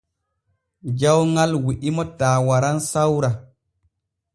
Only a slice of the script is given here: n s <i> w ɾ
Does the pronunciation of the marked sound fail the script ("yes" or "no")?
yes